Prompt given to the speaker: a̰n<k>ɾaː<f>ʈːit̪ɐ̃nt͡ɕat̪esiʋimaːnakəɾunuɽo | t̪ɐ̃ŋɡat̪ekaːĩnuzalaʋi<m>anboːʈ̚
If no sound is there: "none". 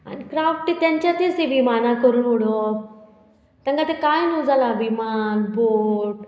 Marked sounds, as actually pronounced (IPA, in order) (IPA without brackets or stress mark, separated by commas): k, f, m